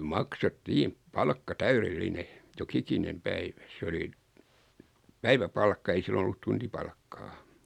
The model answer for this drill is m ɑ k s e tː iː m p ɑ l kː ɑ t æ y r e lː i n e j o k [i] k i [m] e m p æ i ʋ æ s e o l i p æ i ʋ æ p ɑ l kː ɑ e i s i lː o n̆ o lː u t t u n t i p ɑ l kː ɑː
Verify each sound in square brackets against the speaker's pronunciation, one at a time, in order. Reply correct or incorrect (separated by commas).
correct, incorrect